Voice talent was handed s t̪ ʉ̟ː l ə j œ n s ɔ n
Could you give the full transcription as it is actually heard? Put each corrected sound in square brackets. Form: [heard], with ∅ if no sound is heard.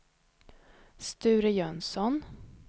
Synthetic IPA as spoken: s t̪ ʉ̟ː [ɾ] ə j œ n s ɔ n